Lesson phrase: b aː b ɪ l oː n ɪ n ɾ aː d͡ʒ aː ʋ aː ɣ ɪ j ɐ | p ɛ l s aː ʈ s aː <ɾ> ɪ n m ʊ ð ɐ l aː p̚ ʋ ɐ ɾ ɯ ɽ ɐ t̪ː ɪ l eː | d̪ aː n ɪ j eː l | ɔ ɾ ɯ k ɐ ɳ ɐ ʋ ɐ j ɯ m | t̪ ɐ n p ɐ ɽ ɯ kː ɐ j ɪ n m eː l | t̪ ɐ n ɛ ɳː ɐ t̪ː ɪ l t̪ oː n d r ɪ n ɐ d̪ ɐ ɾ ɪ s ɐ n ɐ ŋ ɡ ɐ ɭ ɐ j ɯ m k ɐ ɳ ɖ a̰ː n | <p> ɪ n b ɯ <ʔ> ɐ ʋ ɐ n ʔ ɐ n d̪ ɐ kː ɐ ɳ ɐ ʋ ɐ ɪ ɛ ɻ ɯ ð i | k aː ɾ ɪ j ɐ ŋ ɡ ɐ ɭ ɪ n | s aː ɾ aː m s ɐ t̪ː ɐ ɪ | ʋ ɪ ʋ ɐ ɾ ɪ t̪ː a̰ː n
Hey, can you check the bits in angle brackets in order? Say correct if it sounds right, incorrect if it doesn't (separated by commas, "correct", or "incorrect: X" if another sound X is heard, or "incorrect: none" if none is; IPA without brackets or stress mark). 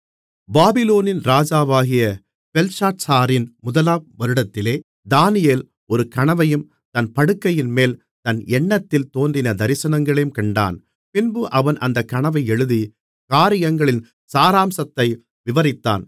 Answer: correct, correct, correct